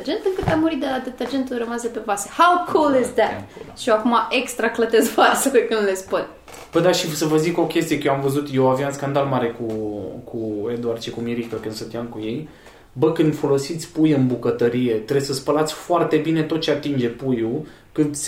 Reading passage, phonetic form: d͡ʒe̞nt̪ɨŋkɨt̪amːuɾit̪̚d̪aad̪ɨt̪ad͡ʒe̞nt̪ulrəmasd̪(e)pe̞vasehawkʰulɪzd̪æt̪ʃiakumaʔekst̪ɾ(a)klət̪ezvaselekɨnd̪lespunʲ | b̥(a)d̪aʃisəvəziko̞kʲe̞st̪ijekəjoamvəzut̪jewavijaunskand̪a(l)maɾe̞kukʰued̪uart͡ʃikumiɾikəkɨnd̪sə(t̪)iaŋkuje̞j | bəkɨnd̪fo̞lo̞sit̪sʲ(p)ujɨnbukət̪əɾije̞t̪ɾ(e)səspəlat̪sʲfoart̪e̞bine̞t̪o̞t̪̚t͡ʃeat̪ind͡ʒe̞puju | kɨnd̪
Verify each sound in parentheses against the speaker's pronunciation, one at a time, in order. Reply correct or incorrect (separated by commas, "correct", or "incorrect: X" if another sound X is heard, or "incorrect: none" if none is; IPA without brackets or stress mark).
correct, correct, incorrect: ə, correct, correct, correct, correct